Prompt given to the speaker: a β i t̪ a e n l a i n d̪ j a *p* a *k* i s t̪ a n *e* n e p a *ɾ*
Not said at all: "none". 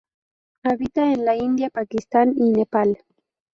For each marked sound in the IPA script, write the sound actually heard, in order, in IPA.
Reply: p, k, i, l

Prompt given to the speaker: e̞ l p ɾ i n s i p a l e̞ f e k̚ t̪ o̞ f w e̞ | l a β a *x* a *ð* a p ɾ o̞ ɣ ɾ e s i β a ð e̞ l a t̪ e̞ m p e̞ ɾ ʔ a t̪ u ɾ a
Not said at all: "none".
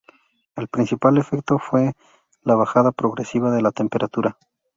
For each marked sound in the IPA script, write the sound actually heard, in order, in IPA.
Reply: x, ð

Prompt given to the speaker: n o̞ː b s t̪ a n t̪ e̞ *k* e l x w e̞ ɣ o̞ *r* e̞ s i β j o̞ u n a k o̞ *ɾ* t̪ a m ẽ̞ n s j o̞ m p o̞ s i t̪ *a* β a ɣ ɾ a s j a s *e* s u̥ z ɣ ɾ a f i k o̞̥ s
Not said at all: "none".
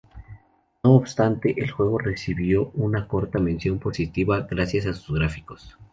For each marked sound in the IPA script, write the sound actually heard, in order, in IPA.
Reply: ʔ, r, ɾ, i, a

